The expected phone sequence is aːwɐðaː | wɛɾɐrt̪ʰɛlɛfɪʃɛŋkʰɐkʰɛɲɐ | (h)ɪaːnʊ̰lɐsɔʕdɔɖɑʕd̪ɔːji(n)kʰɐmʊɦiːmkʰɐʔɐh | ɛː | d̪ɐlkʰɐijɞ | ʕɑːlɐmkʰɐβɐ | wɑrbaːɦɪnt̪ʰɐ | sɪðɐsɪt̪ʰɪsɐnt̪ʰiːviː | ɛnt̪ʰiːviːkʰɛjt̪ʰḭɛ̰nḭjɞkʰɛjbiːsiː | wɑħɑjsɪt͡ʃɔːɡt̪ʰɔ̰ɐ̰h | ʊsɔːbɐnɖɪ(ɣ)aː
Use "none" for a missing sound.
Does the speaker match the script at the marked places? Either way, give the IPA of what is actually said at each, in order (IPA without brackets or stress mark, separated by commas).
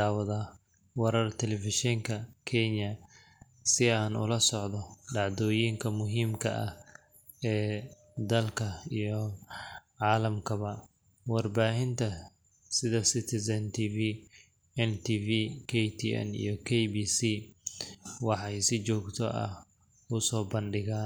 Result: s, ŋ, ɣ